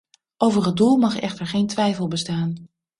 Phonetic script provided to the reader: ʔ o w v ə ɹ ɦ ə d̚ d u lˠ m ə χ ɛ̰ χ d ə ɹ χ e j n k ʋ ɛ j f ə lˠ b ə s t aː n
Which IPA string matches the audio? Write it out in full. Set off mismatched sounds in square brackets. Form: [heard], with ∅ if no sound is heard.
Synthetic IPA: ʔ o w v ə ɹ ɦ ə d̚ d u lˠ m [ɑ] χ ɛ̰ χ [t] ə ɹ χ e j n [t] ʋ ɛ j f ə lˠ b ə s t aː n